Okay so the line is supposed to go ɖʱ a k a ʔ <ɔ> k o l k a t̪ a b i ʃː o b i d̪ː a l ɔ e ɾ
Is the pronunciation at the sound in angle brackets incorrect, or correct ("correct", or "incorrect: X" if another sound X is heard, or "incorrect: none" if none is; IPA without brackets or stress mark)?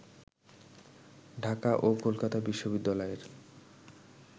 incorrect: o